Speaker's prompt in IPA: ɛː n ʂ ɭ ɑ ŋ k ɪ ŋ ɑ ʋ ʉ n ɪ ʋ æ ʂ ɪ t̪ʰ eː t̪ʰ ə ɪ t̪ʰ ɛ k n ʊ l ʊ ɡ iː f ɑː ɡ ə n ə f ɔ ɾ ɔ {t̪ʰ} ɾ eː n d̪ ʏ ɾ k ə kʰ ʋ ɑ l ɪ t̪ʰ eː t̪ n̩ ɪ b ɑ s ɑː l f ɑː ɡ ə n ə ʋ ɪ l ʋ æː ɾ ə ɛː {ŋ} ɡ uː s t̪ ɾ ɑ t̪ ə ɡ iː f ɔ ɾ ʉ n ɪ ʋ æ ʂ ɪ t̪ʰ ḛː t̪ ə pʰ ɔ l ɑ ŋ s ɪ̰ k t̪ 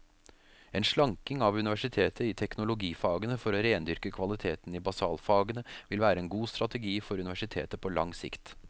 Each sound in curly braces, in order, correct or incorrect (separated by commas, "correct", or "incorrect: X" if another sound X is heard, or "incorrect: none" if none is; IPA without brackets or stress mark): incorrect: none, incorrect: n